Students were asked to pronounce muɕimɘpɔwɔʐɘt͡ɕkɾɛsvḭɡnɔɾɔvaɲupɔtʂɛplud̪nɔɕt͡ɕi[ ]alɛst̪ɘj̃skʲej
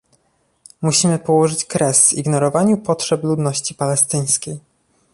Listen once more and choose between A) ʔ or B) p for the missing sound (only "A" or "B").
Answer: B